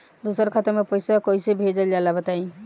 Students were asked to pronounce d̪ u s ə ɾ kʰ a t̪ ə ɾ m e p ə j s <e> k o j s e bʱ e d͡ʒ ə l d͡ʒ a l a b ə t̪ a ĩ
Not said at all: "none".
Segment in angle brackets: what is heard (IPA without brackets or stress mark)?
a